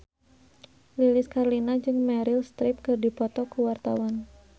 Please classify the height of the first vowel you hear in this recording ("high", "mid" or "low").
high